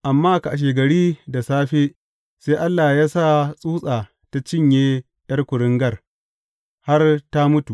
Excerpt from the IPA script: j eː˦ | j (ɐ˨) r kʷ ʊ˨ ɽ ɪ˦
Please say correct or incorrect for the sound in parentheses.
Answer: incorrect: ɐ˦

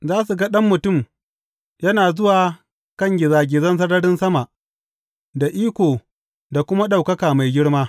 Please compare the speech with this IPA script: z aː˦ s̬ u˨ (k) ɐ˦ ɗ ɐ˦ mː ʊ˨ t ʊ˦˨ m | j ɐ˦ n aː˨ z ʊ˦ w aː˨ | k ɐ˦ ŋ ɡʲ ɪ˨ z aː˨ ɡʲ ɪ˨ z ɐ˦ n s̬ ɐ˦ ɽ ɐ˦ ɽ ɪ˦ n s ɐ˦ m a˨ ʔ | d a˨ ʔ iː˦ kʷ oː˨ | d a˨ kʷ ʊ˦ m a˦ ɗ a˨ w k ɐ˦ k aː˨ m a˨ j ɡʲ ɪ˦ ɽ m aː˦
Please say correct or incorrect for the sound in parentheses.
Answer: incorrect: ɡ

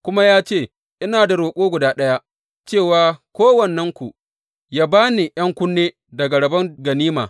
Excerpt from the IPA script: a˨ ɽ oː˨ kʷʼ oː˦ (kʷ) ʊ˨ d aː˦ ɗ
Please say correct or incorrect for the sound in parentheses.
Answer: incorrect: ɡʷ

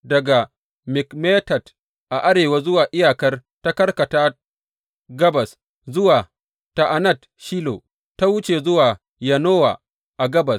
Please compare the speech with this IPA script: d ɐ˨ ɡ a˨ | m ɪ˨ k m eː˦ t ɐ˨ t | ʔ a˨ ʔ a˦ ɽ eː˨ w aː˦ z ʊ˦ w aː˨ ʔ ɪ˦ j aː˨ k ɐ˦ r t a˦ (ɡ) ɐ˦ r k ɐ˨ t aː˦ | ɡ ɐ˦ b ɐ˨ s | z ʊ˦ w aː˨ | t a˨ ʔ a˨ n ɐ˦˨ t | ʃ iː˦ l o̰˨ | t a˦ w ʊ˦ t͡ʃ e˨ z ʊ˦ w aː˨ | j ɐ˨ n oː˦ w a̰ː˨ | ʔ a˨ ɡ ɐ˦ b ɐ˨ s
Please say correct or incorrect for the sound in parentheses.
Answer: incorrect: k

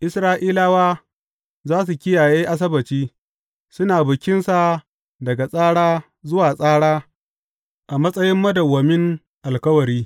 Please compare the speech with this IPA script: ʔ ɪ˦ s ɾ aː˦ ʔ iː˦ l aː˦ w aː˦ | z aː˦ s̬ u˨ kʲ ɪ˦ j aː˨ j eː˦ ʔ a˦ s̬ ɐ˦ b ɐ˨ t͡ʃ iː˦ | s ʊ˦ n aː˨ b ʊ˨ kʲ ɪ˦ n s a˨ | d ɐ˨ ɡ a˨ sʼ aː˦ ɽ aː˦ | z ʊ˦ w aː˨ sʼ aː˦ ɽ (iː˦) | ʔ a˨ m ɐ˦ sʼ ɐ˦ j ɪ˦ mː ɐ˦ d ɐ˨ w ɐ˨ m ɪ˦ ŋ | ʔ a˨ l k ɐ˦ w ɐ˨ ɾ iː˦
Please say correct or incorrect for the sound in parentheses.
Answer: incorrect: aː˦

